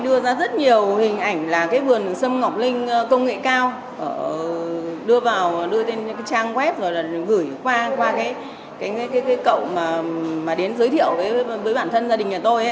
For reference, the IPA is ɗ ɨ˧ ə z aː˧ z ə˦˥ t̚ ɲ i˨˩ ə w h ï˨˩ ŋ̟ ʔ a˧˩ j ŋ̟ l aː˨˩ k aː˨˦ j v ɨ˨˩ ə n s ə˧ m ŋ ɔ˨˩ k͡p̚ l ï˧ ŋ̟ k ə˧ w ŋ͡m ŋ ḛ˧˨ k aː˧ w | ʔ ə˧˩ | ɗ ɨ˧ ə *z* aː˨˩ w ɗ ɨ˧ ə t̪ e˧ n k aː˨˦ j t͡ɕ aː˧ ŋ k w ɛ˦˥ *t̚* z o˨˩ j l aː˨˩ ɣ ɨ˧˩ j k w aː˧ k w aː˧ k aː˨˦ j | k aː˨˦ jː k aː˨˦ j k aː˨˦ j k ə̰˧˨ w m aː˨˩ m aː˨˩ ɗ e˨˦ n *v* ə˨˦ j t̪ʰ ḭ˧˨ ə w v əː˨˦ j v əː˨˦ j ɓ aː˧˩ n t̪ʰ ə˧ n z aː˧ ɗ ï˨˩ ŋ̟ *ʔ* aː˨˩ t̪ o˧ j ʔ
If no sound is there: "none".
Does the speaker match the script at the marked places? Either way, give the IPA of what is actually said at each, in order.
v, p̚, z, ʔ

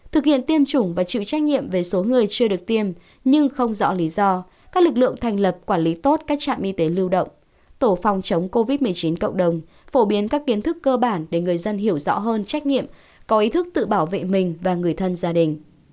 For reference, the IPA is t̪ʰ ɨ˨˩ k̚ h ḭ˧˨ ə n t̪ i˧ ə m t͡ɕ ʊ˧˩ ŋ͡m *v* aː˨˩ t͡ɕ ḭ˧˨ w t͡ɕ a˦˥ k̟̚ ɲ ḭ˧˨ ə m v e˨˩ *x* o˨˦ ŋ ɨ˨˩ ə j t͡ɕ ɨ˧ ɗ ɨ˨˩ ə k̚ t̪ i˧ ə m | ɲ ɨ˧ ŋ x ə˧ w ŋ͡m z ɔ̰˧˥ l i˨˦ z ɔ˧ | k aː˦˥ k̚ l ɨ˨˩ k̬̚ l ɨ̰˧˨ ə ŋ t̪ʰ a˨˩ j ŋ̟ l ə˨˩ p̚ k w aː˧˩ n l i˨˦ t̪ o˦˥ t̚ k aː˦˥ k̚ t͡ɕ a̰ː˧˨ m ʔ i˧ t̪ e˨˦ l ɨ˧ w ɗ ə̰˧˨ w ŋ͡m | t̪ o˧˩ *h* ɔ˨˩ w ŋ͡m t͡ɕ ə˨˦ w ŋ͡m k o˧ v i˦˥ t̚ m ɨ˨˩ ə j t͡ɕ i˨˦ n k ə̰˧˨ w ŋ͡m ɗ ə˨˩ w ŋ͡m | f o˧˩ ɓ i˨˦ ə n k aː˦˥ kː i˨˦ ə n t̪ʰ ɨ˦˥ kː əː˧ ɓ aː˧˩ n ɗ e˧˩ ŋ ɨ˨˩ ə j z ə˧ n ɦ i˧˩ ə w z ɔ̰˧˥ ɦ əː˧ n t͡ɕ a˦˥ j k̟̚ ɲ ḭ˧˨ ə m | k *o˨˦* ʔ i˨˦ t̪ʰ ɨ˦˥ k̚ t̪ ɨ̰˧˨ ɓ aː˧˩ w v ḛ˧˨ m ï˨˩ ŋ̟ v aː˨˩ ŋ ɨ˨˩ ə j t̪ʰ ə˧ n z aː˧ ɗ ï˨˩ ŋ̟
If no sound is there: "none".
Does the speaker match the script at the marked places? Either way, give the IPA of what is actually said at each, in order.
v, s, f, ɔ˨˦

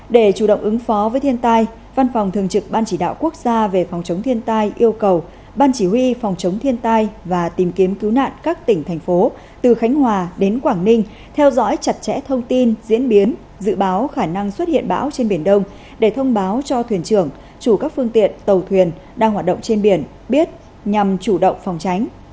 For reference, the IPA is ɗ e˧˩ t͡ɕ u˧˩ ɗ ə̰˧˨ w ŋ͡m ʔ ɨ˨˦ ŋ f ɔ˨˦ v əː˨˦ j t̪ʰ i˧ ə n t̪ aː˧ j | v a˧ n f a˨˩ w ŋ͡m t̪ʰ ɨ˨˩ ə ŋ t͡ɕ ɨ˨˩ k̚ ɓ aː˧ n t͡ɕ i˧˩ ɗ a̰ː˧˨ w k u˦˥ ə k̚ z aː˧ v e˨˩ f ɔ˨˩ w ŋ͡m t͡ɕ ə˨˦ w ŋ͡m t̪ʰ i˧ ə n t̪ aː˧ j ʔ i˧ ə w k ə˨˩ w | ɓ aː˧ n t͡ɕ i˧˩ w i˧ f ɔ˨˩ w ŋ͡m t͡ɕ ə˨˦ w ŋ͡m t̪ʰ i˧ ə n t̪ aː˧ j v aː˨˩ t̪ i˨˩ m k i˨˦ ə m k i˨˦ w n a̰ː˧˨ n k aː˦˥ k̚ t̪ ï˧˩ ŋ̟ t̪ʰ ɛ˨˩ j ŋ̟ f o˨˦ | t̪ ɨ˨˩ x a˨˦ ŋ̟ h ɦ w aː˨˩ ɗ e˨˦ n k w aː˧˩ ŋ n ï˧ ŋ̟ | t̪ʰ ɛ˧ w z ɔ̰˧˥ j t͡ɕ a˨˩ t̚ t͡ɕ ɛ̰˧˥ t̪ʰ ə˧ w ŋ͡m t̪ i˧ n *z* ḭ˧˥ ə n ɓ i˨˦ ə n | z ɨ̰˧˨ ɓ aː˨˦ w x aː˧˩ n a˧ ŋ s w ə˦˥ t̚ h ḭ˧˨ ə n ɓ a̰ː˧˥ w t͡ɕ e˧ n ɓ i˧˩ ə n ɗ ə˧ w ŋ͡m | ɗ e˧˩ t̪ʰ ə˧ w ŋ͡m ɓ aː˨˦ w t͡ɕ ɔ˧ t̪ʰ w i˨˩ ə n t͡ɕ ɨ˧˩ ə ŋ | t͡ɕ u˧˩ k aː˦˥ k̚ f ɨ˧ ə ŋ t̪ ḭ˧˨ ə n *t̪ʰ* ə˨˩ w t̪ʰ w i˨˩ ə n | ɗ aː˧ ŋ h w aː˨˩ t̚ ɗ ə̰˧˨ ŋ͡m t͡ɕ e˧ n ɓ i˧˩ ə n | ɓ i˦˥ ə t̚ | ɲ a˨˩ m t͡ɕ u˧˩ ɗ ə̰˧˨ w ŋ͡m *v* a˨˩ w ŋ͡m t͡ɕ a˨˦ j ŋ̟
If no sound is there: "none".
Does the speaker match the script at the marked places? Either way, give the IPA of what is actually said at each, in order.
z, t̪, f

